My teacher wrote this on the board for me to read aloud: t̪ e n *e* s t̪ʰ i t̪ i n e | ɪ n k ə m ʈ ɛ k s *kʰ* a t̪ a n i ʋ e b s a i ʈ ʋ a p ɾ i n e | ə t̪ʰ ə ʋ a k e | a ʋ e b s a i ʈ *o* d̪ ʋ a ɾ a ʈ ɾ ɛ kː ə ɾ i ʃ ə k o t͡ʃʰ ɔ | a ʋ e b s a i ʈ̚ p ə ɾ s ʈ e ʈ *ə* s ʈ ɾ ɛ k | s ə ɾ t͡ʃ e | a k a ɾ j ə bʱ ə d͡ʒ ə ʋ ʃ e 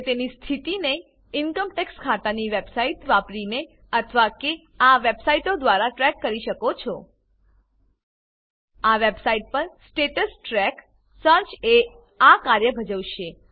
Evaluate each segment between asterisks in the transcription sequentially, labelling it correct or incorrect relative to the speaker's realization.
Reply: incorrect, correct, correct, correct

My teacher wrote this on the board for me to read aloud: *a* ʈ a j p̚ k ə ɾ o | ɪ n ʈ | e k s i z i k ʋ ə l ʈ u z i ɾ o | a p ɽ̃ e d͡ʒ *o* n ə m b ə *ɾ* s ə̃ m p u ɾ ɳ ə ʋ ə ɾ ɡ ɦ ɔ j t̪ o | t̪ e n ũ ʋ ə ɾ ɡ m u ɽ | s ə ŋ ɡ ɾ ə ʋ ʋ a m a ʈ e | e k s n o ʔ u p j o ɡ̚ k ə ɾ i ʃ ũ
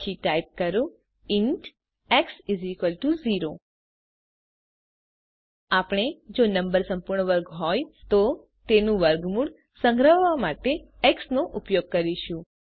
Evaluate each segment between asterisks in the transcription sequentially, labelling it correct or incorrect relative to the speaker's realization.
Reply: incorrect, correct, correct

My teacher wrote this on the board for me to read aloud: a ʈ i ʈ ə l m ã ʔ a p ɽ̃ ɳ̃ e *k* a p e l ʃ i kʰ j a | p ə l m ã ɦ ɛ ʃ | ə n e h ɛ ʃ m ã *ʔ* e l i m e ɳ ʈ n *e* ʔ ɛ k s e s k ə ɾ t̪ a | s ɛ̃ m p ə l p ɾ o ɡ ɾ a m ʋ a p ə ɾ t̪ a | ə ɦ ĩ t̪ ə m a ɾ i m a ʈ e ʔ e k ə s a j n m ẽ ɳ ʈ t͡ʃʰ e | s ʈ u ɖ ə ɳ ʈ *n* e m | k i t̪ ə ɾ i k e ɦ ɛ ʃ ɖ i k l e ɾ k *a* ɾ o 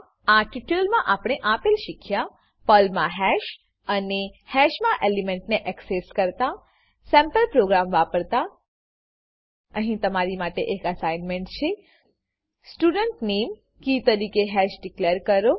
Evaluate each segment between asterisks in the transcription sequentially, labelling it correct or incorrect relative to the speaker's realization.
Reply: incorrect, correct, correct, correct, incorrect

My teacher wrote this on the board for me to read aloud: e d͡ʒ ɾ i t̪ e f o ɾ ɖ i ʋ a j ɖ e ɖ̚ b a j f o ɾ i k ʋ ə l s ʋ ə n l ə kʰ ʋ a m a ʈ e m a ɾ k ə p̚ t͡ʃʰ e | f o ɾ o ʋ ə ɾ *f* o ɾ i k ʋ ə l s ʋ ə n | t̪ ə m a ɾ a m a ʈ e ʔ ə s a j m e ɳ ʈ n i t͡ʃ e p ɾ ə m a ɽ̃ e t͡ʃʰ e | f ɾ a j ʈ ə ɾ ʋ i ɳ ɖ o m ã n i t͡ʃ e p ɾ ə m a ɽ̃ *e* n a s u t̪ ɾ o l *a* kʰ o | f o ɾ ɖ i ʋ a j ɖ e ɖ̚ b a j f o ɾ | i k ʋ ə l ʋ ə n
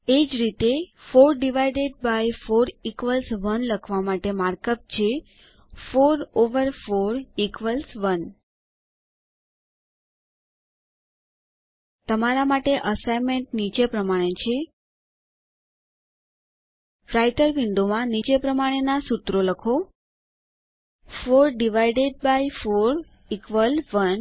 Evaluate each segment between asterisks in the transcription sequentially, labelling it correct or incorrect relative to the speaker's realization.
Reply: correct, correct, incorrect

